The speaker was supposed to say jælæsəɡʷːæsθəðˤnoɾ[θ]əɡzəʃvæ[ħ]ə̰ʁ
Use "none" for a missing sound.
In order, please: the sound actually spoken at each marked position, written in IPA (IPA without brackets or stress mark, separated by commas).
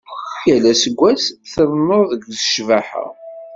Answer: ð, ħ